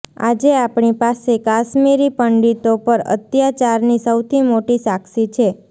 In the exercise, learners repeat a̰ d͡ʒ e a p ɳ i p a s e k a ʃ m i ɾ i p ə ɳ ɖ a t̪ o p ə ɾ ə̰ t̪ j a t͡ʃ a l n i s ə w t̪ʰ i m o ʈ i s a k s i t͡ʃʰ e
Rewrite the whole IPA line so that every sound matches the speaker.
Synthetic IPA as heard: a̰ d͡ʒ e a p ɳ i p a s e k a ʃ m i ɾ i p ə ɳ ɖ i t̪ o p ə ɾ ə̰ t̪ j a t͡ʃ a ɾ n i s ə w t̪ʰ i m o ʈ i s a k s i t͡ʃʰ e

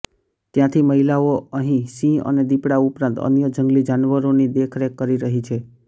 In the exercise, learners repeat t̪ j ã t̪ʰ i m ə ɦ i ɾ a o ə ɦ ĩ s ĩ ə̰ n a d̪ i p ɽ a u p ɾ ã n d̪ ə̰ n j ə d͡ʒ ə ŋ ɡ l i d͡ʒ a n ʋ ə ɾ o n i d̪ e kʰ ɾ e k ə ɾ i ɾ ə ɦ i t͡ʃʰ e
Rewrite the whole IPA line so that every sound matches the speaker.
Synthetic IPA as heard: t̪ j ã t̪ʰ i m ə ɦ i l a o ə ɦ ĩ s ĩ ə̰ n e d̪ i p ɽ a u p ɾ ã n t̪ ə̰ n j ə d͡ʒ ə ŋ ɡ l i d͡ʒ a n ʋ ə ɾ o n i d̪ e kʰ ɾ e k ə ɾ i ɾ ə ɦ i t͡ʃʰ e

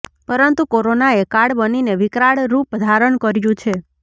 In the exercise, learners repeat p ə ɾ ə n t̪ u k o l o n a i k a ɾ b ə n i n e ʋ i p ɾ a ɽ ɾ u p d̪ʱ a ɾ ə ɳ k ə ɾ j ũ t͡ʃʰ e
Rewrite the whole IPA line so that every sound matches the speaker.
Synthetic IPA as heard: p ə ɾ ə n t̪ u k o ɾ o n a e k a ɽ b ə n i n e ʋ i k ɾ a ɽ ɾ u p d̪ʱ a ɾ ə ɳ k ə ɾ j ũ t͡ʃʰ e

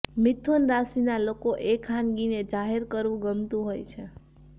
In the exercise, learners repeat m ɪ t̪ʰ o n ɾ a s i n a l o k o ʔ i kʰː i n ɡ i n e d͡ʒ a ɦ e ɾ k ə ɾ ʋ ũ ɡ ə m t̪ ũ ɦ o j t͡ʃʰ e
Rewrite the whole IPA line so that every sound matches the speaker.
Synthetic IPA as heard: m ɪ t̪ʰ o n ɾ a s i n a l o k o ʔ e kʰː a n ɡ i n e d͡ʒ a ɦ e ɾ k ə ɾ ʋ ũ ɡ ə m t̪ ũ ɦ o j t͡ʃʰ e

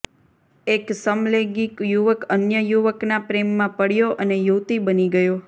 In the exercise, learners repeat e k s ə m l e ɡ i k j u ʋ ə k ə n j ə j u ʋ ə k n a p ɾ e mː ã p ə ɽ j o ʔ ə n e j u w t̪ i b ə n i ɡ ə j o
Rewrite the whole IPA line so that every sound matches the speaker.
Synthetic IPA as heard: e k s ə m l e ɡ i k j u ʋ ə k ə n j ə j u ʋ ə k n a p ɾ e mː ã p ə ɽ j o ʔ ə n e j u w t̪ i b ə n i ɡ ə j o

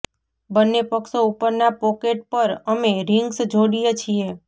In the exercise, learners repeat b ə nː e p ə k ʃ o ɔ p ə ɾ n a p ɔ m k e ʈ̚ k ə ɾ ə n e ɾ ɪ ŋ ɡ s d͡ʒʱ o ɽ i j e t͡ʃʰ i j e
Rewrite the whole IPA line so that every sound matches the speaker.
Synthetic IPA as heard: b ə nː e p ə k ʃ o u p ə ɾ n a p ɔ k e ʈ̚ p ə ɾ ə m e ɾ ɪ ŋ ɡ s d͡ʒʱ o ɽ i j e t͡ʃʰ i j e

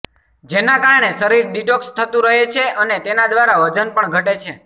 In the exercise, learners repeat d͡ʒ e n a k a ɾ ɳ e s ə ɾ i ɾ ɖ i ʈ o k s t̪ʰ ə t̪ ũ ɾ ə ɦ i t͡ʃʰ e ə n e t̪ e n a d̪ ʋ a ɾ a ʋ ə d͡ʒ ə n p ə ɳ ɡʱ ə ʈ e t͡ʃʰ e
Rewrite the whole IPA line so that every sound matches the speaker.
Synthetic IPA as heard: d͡ʒ e n a k a ɾ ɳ e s ə ɾ i ɾ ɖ i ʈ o k s t̪ʰ ə t̪ ũ ɾ ə ɦ e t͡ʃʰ e ə n e t̪ e n a d̪ ʋ a ɾ a ʋ ə d͡ʒ ə n p ə ɳ ɡʱ ə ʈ e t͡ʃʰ e

